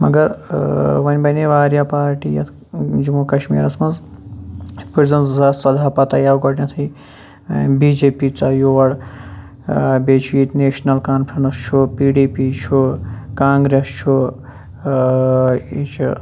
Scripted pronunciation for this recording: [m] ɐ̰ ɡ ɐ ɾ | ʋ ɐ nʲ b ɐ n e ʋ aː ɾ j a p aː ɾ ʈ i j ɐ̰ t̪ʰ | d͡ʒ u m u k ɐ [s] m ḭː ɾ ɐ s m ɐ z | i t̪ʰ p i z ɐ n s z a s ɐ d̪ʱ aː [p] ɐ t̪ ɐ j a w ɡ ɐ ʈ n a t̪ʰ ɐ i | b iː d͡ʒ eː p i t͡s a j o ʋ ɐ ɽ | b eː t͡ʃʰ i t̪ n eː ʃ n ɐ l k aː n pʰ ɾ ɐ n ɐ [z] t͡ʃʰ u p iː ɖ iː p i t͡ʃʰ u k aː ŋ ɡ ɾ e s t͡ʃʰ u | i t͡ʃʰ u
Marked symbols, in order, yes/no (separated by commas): yes, no, yes, no